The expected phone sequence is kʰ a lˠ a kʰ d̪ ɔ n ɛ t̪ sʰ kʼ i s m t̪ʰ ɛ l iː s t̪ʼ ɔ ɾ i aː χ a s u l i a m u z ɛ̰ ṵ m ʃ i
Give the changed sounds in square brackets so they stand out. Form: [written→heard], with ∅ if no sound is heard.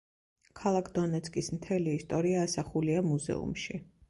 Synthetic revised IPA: kʰ a lˠ a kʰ d̪ ɔ n ɛ t̪ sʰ kʼ i s m t̪ʰ ɛ l iː s t̪ʼ ɔ ɾ i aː [χ→s] a [s→χ] u l i a m u z ɛ̰ ṵ m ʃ i